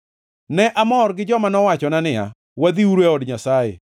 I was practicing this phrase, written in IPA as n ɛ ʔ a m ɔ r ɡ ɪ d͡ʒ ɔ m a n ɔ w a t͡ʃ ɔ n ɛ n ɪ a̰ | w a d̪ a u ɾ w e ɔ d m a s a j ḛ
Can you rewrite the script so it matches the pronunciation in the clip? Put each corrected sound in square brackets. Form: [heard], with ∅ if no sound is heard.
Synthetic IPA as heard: n ɛ ʔ a m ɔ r ɡ ɪ d͡ʒ ɔ m a n ɔ w a t͡ʃ ɔ n [a] n ɪ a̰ | w a d̪ [i] u ɾ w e ɔ d [ɲ] a s a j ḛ